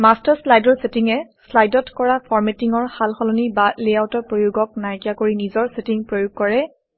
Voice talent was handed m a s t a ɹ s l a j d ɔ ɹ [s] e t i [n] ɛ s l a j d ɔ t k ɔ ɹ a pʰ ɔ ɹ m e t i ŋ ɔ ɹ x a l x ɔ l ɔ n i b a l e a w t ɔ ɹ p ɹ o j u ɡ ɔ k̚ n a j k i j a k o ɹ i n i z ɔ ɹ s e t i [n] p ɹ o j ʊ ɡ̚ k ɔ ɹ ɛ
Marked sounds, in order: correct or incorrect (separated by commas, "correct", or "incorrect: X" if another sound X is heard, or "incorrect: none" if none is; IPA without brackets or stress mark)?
correct, incorrect: ŋ, incorrect: ŋ